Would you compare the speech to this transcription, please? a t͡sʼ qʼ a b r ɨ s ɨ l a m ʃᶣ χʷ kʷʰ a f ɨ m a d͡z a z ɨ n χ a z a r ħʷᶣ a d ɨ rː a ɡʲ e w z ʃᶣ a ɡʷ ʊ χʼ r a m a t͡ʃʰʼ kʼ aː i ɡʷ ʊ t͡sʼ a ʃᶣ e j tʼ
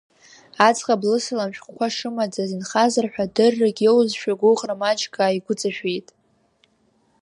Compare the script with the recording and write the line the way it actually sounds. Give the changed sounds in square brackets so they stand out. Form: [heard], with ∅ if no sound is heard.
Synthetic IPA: a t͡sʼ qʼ a b [l] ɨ s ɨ l a m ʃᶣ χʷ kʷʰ a [ʂ] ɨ m a d͡z a z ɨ n χ a z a r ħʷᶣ a d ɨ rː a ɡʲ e w z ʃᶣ a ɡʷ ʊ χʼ r a m a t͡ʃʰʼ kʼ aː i ɡʷ ʊ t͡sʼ a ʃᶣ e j tʼ